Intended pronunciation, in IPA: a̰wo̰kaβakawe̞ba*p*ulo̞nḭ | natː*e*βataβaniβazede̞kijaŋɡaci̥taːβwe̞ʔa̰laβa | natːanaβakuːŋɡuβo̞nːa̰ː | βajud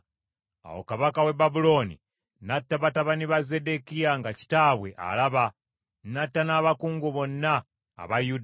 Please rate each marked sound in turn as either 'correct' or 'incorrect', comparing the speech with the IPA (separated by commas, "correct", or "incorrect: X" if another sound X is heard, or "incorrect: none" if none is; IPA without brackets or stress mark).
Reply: incorrect: b, incorrect: a